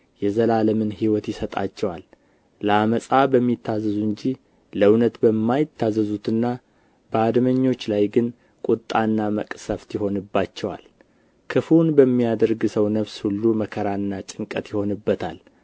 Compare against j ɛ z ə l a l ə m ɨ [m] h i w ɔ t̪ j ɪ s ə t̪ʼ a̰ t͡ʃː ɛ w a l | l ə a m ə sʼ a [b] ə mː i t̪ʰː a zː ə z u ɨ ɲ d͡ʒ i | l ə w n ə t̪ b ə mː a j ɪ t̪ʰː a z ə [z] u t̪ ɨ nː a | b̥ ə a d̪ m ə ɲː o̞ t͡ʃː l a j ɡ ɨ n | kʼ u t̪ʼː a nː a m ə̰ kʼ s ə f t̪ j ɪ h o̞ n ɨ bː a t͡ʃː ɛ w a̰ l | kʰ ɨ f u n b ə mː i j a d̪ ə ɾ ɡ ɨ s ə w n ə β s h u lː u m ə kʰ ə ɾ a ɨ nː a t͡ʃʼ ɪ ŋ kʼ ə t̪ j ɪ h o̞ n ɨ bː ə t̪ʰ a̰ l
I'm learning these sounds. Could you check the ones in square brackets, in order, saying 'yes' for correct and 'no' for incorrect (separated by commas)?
no, yes, yes